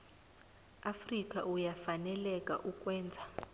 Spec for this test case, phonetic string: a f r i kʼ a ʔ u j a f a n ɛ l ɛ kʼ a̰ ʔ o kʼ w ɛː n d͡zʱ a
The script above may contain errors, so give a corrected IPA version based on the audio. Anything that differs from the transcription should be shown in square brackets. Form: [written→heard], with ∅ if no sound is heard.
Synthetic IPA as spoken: a f r i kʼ a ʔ u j a f a n ɛ l ɛ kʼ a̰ ʔ [o→u] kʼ w ɛː n d͡zʱ a

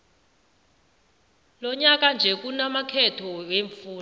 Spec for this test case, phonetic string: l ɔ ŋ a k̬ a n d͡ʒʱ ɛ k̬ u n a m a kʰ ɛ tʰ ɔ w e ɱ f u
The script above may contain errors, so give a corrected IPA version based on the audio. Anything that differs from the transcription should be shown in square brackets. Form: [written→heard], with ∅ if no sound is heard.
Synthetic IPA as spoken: l ɔ [ŋ→ɲ] a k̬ a n d͡ʒʱ ɛ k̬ u n a m a kʰ ɛ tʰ ɔ w e ɱ f [u→uː]

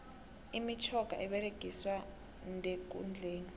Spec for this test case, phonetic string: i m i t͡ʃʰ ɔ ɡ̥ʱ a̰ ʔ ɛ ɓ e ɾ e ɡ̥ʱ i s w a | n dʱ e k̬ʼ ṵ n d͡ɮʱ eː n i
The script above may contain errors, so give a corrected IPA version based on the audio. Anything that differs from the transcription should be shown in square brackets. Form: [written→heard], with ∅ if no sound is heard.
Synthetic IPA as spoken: i m i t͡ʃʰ ɔ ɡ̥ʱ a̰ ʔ ɛ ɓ [e→ɛ] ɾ e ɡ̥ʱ i s w a | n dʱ e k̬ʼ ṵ n d͡ɮʱ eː n i

